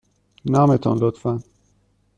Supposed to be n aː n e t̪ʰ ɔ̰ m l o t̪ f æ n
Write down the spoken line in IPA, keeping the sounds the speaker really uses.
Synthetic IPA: n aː m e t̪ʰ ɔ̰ n l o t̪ f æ n